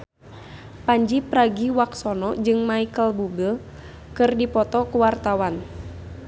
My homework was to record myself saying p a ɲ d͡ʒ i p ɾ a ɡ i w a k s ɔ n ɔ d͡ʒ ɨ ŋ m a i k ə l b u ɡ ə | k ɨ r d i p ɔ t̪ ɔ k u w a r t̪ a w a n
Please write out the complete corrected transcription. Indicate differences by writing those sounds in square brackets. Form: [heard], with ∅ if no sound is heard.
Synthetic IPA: p a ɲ d͡ʒ i p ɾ a ɡ i w a k s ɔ n ɔ d͡ʒ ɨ ŋ m a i k ə l b u ɡ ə | k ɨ r d i p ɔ t̪ ɔ k u w a r t̪ a w a n